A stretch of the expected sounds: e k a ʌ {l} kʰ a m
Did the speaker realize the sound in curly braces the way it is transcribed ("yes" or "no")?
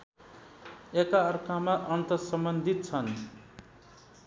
no